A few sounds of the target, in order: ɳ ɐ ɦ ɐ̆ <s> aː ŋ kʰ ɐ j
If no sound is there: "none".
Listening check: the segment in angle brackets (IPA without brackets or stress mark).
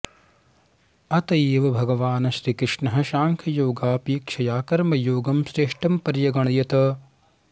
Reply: ʃ